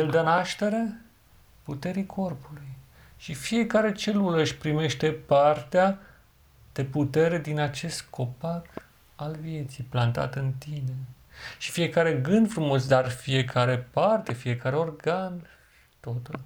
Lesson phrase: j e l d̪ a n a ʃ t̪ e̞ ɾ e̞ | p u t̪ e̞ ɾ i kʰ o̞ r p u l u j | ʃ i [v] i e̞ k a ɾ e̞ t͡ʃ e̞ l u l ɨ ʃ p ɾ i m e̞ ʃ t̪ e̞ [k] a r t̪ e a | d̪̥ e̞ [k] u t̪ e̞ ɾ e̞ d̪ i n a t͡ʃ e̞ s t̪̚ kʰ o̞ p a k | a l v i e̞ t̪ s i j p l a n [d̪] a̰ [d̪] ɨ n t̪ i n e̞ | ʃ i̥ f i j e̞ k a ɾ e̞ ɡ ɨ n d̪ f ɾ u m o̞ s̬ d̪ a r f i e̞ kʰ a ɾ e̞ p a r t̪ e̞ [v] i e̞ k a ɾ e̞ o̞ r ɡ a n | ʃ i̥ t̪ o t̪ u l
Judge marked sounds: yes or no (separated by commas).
no, no, no, no, no, no